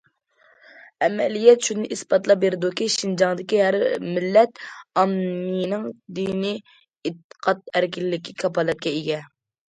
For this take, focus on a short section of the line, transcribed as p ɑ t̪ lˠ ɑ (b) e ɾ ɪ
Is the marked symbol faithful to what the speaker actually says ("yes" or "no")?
yes